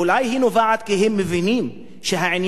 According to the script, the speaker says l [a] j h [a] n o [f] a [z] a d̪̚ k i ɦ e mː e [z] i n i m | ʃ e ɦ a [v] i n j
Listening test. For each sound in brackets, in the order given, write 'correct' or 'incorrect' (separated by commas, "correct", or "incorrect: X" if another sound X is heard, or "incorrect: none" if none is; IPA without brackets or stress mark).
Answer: correct, incorrect: i, incorrect: v, incorrect: ʕ, incorrect: v, incorrect: ʕ